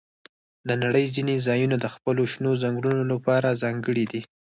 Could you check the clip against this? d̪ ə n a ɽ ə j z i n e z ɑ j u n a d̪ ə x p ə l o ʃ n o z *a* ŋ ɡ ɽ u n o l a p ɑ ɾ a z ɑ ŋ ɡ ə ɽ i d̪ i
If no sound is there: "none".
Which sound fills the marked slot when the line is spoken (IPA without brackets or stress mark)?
a